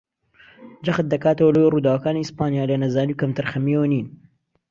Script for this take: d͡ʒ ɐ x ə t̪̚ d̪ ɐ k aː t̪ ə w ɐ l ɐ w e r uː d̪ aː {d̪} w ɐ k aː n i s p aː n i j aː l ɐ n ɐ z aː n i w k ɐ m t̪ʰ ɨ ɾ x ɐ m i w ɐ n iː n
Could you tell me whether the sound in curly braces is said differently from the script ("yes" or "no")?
yes